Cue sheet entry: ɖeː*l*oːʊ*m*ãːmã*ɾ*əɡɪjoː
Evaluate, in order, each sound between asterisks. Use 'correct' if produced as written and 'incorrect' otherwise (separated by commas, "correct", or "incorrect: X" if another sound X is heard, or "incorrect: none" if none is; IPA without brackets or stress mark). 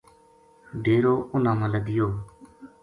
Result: incorrect: ɾ, incorrect: n, incorrect: l